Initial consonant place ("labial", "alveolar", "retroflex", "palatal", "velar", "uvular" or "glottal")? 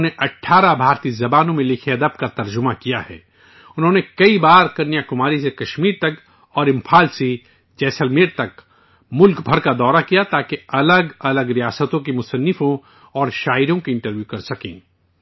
alveolar